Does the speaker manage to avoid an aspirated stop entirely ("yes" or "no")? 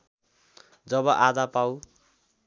yes